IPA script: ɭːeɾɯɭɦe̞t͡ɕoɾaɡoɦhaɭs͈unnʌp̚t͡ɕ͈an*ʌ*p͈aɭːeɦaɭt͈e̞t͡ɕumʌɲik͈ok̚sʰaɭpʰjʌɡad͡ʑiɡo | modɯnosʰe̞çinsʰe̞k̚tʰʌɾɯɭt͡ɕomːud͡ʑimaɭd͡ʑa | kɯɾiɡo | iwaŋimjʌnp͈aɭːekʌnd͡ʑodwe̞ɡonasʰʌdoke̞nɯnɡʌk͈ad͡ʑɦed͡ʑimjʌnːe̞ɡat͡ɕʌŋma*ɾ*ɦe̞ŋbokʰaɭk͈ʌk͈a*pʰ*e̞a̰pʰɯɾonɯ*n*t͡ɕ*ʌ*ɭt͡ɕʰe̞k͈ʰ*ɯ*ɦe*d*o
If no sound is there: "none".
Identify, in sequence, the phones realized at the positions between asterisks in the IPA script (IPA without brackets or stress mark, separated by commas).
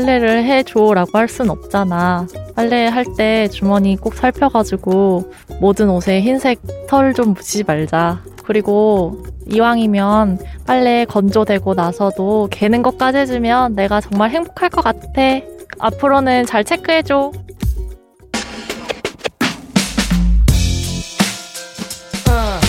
a, ɭ, tʰ, n, a, ɯ, d͡ʑ